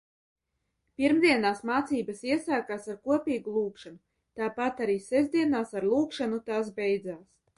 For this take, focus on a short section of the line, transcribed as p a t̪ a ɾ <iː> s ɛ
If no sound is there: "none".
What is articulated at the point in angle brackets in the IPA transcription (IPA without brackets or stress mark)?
iː